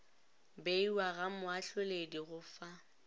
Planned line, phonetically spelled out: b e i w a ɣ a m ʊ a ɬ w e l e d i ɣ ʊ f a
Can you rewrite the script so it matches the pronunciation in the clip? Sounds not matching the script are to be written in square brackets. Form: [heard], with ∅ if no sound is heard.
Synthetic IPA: b e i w a ɣ a m ʊ a ɬ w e l e d i ɣ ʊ f a